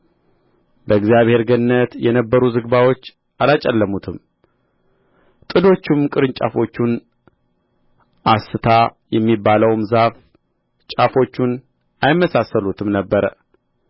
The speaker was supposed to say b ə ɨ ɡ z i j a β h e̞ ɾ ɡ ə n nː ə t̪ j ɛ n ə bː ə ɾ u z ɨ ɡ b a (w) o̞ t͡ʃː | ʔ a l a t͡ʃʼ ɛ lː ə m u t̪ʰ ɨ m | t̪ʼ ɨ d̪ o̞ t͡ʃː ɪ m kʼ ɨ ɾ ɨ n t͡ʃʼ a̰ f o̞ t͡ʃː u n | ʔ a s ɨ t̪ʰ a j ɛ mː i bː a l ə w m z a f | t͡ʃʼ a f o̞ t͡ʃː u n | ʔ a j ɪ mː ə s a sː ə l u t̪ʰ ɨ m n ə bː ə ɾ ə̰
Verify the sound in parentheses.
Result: correct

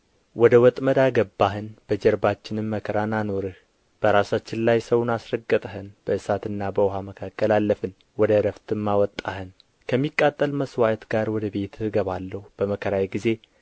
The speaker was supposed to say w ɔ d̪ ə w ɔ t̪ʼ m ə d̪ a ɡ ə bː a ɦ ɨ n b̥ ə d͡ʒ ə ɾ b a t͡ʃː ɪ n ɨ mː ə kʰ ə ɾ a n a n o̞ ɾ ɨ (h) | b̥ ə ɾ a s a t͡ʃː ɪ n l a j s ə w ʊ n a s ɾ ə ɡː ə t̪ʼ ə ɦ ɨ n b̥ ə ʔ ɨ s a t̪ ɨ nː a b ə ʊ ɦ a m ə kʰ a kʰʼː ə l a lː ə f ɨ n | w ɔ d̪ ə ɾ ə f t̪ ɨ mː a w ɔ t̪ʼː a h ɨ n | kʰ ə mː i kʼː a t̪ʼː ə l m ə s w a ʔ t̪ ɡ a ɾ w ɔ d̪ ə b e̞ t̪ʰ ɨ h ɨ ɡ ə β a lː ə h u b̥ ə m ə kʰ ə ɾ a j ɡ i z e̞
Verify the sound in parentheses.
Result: correct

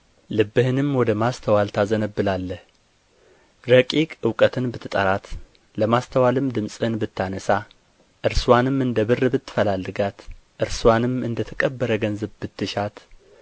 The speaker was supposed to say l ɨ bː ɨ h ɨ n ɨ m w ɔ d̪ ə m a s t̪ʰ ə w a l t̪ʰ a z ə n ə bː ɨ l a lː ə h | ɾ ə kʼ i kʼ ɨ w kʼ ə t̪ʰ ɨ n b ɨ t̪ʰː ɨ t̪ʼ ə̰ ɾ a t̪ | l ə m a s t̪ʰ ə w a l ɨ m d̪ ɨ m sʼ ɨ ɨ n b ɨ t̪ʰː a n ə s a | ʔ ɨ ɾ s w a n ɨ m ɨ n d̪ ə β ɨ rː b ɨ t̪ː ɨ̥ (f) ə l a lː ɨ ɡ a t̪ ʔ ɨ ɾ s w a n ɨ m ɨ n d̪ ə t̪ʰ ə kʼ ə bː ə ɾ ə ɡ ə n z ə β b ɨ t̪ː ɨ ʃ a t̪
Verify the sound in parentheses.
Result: correct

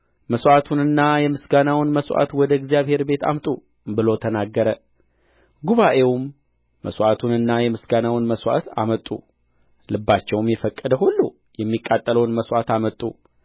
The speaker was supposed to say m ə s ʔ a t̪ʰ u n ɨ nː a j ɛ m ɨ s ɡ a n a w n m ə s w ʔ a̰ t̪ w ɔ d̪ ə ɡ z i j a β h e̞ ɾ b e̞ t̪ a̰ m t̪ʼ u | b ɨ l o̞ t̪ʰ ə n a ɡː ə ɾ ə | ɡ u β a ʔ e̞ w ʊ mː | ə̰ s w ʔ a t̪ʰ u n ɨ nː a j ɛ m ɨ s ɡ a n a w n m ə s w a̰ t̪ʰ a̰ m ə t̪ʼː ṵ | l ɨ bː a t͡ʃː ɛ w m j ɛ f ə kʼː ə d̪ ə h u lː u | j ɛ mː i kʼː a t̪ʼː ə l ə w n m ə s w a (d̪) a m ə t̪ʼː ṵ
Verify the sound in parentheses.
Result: incorrect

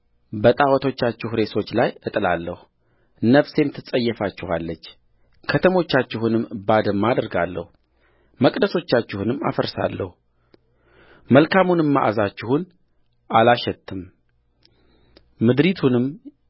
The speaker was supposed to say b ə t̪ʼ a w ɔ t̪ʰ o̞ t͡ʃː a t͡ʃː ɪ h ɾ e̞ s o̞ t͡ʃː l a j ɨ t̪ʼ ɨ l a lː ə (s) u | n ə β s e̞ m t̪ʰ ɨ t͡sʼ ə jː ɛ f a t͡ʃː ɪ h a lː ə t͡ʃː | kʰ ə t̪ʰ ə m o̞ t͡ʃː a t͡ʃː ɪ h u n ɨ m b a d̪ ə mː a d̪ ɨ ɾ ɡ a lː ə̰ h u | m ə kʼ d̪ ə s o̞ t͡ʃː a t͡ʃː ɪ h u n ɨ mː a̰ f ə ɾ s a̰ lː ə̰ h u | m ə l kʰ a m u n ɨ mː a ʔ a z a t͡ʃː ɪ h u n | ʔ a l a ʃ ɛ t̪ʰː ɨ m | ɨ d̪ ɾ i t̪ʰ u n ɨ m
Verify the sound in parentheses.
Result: incorrect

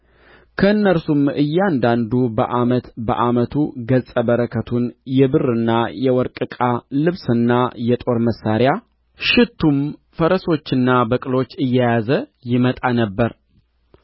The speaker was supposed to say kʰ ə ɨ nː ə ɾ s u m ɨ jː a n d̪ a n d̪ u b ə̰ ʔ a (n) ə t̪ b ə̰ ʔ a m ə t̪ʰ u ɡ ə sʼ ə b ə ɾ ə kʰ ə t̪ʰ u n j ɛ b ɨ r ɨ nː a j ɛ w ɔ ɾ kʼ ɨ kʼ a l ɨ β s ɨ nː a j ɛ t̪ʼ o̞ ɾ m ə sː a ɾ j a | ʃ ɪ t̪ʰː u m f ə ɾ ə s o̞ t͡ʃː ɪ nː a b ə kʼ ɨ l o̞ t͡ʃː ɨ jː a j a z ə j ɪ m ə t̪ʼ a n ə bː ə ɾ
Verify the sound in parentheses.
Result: incorrect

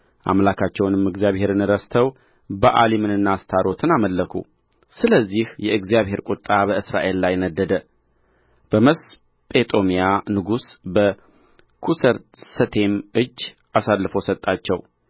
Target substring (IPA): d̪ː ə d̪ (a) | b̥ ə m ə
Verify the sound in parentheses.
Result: incorrect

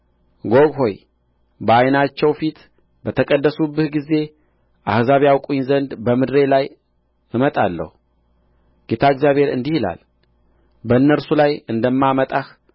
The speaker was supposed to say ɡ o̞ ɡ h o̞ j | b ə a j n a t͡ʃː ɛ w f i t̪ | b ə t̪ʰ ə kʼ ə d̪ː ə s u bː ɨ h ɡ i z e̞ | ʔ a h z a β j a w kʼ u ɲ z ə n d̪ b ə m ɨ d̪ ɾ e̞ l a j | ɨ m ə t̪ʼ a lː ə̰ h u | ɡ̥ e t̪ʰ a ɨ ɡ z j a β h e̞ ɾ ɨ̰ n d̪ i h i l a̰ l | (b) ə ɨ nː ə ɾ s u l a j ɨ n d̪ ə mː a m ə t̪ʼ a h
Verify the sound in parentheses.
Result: correct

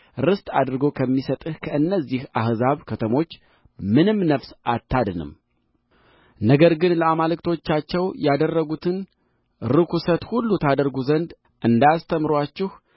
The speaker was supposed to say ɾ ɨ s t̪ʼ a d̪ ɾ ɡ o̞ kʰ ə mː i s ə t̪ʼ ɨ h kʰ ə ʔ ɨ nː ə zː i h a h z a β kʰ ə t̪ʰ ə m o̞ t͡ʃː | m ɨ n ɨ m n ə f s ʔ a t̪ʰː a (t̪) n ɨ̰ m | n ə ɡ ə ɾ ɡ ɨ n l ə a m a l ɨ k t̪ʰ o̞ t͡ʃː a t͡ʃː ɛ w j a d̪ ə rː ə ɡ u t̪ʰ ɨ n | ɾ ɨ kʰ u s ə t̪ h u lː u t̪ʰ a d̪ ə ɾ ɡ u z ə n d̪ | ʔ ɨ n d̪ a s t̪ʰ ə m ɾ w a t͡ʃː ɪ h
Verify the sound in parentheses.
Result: incorrect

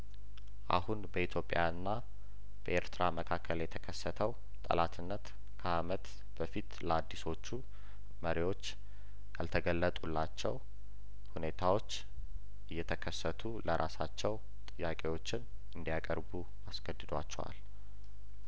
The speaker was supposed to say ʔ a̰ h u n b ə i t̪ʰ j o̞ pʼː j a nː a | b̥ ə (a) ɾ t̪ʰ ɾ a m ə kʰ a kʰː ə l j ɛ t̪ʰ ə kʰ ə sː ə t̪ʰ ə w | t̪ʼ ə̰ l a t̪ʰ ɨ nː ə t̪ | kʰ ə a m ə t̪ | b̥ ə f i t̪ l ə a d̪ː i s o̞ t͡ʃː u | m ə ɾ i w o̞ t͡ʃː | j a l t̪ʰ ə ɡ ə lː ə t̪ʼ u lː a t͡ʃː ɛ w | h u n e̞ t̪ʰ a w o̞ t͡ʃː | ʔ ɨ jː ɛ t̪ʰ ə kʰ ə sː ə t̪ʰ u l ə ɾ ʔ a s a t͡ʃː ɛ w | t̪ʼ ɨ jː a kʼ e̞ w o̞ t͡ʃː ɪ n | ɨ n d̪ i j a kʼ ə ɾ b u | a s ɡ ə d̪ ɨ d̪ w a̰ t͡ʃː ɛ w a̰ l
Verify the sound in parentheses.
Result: incorrect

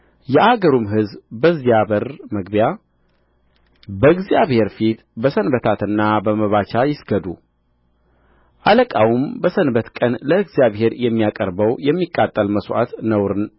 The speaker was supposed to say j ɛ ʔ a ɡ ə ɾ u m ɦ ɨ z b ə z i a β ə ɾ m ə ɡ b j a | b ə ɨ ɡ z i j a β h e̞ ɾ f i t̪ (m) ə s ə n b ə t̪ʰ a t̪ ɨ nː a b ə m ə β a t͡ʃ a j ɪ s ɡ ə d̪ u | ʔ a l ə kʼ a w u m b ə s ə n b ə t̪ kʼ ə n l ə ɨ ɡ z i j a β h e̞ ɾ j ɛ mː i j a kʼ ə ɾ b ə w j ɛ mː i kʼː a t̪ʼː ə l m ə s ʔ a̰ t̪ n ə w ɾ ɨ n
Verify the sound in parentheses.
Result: incorrect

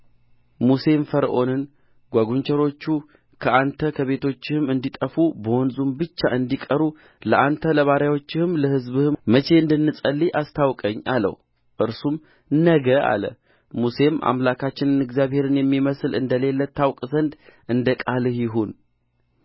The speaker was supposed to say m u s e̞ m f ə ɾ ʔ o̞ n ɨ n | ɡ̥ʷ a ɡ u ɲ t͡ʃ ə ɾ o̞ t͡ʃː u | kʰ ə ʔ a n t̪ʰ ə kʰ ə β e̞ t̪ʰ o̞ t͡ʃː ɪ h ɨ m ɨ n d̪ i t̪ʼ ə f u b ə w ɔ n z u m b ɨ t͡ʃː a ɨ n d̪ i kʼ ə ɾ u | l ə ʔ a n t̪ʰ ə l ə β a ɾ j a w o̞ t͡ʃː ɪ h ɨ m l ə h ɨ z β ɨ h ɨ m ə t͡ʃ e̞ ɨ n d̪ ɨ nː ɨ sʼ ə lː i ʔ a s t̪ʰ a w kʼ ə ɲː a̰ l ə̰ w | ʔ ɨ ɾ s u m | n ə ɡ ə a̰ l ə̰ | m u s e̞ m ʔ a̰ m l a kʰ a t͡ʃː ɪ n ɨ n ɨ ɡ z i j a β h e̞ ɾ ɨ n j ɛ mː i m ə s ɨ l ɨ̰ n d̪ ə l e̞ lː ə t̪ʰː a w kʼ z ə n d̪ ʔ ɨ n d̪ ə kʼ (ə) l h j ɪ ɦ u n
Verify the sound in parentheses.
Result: incorrect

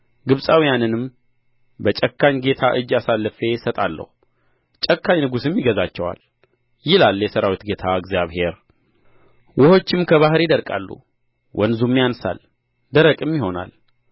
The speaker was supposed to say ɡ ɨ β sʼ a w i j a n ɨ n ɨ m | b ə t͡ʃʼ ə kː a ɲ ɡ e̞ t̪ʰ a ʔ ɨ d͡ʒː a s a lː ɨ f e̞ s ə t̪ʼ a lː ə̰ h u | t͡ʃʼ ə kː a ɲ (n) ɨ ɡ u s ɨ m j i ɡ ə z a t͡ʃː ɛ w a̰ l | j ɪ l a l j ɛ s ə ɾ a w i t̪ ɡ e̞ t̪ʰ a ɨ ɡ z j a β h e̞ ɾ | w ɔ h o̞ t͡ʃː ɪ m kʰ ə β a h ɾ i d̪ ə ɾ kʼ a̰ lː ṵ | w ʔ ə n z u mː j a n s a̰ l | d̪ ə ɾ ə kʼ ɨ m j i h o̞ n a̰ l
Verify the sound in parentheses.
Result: correct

